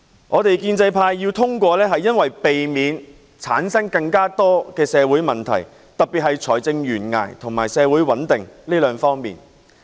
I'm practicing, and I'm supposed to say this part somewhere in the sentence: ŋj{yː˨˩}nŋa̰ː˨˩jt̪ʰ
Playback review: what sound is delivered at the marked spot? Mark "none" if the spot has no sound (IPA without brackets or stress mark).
yː˨˩